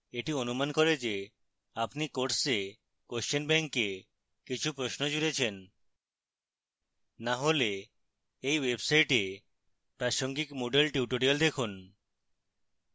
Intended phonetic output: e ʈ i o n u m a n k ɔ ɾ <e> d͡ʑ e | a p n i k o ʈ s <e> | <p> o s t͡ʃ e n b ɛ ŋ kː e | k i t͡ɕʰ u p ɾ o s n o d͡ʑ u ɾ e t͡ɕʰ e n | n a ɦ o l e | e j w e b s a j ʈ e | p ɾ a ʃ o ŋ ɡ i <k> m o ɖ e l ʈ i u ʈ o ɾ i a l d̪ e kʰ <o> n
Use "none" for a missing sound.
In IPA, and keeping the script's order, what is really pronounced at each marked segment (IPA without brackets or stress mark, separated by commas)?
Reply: e, e, k, k, u